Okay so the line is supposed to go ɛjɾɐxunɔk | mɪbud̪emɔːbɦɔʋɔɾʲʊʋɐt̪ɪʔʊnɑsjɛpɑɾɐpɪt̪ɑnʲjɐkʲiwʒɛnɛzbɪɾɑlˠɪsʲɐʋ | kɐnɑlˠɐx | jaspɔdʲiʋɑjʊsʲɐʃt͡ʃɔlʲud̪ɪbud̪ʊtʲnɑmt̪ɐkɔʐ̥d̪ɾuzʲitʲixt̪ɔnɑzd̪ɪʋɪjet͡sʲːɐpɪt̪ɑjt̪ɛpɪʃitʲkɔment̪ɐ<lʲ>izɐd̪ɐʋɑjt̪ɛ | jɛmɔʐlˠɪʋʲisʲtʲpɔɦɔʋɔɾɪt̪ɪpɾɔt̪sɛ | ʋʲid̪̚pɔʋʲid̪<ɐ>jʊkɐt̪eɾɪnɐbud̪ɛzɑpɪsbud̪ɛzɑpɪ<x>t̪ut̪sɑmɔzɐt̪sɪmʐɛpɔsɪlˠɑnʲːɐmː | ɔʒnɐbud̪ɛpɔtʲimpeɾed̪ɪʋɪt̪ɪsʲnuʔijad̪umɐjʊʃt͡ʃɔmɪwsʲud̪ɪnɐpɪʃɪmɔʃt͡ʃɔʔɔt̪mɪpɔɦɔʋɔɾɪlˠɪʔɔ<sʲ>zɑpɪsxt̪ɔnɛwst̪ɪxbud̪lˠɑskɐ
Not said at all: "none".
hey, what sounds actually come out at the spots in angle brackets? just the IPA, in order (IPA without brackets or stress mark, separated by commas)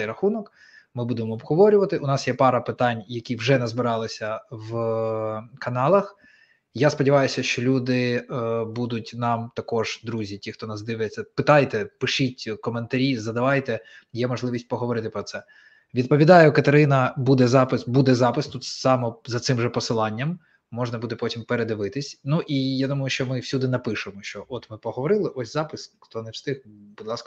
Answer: ɾʲ, ɑ, s, sʲ